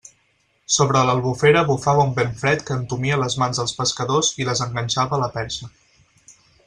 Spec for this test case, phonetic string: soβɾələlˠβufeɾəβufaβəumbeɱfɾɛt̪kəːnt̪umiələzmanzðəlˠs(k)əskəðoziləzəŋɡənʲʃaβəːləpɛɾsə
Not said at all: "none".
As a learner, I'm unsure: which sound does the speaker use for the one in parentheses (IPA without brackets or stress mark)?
p